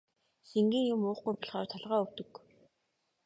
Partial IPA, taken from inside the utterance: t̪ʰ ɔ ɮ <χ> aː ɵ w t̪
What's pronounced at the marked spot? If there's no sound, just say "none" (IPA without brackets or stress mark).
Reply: ʁ